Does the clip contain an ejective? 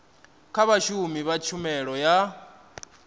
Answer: no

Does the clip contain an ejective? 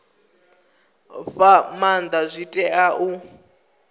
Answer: yes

